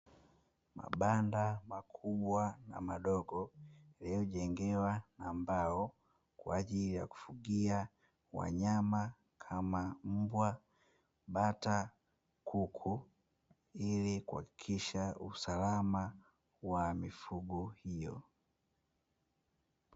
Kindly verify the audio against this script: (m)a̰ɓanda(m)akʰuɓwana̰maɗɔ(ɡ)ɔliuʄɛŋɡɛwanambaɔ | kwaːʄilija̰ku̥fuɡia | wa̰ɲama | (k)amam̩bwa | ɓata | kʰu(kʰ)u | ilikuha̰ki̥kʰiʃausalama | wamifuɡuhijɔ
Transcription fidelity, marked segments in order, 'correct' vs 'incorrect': correct, correct, correct, incorrect: kʰ, correct

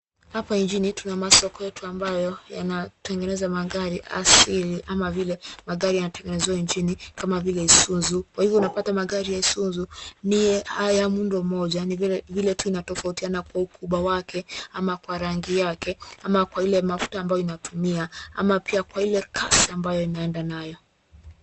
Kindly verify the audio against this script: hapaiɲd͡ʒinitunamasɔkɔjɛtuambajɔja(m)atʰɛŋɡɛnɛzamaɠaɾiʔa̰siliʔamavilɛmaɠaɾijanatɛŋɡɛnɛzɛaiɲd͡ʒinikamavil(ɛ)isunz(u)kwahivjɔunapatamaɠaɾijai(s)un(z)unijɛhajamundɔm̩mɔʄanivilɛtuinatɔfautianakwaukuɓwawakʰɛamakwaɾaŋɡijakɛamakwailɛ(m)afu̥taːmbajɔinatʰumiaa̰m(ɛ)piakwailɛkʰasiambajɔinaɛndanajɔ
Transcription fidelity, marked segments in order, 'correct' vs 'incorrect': incorrect: n, correct, correct, correct, correct, correct, incorrect: a

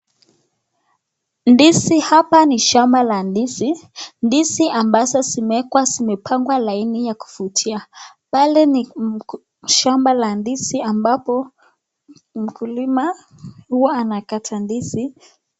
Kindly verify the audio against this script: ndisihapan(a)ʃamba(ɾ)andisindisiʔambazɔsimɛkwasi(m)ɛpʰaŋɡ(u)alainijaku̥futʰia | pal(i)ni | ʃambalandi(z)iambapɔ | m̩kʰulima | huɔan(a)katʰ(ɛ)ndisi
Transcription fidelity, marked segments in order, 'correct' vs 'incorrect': incorrect: i, incorrect: l, correct, incorrect: w, incorrect: ɛ, incorrect: s, correct, incorrect: a

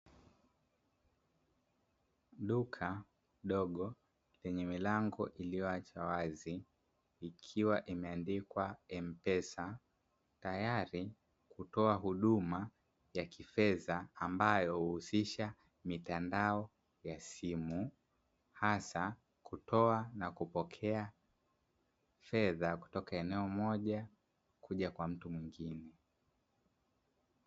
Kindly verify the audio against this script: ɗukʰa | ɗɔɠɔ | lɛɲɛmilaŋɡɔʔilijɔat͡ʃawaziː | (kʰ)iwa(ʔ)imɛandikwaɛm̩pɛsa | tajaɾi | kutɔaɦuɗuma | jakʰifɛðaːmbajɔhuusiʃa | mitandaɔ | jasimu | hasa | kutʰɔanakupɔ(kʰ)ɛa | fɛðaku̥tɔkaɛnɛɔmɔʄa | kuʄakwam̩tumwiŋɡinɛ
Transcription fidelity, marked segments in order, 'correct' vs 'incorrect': correct, correct, correct

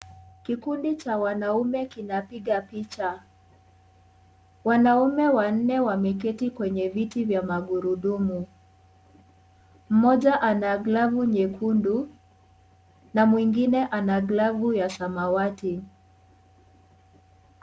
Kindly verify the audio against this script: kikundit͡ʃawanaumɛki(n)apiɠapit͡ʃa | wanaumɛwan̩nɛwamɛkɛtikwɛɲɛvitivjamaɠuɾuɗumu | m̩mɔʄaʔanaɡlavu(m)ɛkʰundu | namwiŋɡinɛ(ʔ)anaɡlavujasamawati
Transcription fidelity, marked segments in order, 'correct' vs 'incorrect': correct, incorrect: ɲ, correct

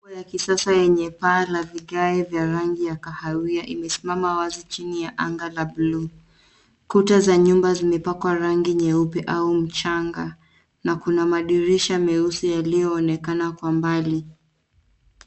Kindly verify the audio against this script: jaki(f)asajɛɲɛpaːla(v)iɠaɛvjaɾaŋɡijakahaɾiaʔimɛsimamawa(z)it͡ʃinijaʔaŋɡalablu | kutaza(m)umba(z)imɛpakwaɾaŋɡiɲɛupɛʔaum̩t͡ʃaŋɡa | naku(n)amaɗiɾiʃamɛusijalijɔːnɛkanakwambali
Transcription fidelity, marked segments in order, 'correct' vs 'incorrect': incorrect: s, correct, correct, incorrect: ɲ, correct, correct

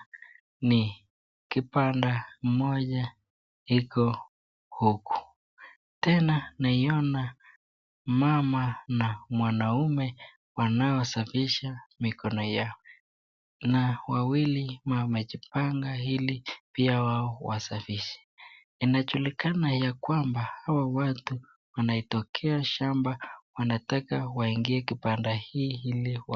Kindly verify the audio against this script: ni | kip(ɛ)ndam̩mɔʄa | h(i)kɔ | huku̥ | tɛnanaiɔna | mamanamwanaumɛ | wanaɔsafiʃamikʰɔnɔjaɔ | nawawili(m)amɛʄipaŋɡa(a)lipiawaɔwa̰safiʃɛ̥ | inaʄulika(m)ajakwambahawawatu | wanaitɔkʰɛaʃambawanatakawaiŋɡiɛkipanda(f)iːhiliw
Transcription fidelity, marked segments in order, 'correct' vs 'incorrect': incorrect: a, correct, correct, incorrect: i, incorrect: n, incorrect: h

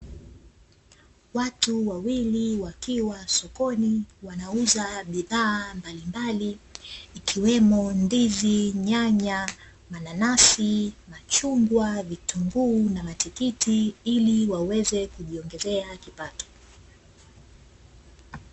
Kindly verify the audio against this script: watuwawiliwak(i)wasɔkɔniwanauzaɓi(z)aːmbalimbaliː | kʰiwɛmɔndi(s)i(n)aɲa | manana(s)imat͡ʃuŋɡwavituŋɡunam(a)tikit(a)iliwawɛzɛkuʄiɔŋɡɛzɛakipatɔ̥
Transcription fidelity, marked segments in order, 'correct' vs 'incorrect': correct, incorrect: ð, incorrect: z, incorrect: ɲ, correct, correct, incorrect: i

